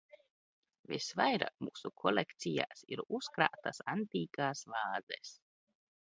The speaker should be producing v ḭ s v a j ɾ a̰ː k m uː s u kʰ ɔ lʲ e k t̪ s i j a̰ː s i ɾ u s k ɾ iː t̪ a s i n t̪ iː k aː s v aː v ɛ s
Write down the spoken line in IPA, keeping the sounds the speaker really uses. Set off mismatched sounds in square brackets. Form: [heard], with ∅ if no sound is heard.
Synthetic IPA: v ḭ s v a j ɾ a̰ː k m uː s u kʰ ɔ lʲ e k t̪ s i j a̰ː s i ɾ u s k ɾ [aː] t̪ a s [a] n t̪ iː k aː s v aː [z] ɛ s